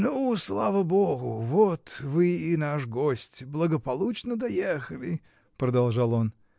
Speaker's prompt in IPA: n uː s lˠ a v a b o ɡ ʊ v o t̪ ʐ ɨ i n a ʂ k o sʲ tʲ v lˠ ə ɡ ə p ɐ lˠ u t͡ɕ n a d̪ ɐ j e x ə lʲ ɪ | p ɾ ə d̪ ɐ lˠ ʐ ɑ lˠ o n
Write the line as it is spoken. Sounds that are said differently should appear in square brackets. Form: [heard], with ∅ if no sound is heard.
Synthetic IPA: n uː s lˠ a v [ə] b o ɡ ʊ v o t̪ [v] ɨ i n a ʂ [ɡ] o sʲ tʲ [b] lˠ ə ɡ ə p ɐ lˠ u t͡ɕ n [ə] d̪ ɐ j e x ə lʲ ɪ | p ɾ ə d̪ ɐ lˠ ʐ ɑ lˠ o n